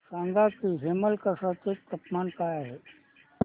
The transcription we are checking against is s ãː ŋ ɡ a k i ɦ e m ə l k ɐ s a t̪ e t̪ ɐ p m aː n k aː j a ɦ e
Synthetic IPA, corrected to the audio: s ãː ŋ ɡ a k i ɦ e m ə l k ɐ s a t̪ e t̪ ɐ p m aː n k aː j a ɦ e